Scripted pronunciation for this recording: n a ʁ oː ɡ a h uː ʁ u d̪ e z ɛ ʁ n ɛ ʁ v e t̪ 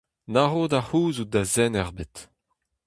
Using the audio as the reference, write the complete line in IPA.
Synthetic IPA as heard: n a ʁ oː d a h uː z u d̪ a z ɛ n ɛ ʁ b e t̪